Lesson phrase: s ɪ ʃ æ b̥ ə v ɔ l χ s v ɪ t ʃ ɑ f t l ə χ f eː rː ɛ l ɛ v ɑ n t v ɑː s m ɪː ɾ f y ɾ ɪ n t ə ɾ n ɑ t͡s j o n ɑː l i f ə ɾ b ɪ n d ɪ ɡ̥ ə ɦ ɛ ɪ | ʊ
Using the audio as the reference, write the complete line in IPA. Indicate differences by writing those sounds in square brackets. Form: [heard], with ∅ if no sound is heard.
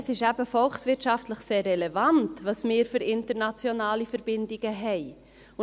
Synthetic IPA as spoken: s ɪ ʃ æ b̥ ə [f] ɔ l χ s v ɪ t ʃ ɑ f t l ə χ [s] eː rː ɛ l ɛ v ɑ n t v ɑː s m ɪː ɾ f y ɾ ɪ n t ə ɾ n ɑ t͡s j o n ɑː l i f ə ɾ b ɪ n d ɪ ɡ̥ ə ɦ ɛ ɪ | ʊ